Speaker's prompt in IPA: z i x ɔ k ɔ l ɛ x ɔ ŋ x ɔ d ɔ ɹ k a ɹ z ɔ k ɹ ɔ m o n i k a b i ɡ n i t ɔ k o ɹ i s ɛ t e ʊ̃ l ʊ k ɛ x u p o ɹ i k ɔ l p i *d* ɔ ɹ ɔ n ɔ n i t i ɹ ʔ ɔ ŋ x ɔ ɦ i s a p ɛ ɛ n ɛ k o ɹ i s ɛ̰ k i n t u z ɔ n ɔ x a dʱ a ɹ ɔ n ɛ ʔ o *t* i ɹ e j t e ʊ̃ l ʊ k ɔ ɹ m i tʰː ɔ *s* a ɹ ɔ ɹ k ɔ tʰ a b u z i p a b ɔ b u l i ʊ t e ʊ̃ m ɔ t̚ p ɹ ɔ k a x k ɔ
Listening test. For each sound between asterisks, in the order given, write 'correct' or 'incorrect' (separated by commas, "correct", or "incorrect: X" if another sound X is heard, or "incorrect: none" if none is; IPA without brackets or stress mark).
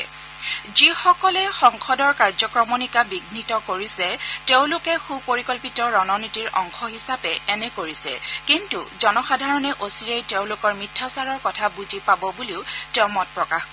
incorrect: t, incorrect: s, correct